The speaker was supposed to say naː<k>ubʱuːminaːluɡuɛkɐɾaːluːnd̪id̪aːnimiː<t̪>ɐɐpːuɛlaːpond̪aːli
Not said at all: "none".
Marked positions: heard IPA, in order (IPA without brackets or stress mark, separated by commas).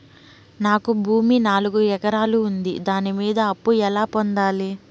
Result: k, d̪